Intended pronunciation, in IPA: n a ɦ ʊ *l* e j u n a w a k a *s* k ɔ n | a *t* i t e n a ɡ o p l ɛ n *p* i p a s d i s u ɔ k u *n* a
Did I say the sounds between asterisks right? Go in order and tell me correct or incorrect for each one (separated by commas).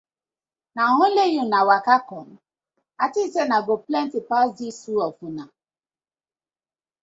correct, incorrect, correct, incorrect, correct